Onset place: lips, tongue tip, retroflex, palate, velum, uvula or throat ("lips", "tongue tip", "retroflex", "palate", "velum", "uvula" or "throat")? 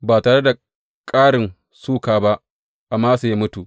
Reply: lips